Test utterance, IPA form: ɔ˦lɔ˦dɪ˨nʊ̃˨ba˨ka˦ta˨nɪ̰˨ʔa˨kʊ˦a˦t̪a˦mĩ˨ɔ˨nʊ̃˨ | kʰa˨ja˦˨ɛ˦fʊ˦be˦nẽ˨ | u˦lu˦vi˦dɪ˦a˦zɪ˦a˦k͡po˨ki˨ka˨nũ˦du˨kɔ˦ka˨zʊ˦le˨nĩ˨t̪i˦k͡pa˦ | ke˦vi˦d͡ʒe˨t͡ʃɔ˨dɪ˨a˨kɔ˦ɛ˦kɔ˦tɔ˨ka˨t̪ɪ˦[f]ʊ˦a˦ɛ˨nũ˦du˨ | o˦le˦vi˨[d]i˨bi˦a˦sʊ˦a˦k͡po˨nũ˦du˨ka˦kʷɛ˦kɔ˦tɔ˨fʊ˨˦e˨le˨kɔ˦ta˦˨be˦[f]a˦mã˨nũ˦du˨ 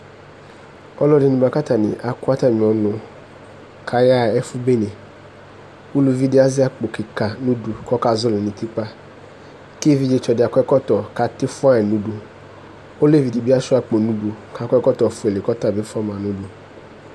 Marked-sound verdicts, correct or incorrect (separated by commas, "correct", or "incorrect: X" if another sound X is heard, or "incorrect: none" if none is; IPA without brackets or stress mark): correct, correct, correct